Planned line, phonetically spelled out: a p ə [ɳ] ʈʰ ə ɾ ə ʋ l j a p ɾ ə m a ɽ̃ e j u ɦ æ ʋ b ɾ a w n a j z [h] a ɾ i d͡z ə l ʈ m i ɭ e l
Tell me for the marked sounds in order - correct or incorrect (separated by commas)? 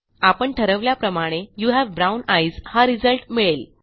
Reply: correct, correct